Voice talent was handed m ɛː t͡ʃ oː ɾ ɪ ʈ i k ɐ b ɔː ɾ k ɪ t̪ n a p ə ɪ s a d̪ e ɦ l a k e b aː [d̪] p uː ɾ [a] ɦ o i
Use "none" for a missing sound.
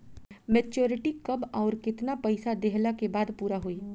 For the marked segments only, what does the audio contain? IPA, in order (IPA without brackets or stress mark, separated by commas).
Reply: d̪, a